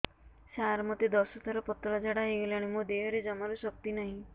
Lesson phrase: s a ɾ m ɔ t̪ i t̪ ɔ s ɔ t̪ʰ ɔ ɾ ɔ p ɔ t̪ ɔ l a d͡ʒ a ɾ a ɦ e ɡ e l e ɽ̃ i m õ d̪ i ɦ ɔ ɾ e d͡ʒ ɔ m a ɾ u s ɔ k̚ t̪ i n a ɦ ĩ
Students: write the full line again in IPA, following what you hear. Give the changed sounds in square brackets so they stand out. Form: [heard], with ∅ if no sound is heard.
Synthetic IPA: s a ɾ m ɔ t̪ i [d̪] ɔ s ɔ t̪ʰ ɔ ɾ ɔ p ɔ t̪ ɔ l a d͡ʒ a [ɽ] a ɦ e ɡ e l [a] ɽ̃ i m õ d̪ [e] ɦ ɔ ɾ e d͡ʒ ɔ m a ɾ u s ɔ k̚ t̪ i n a ɦ ĩ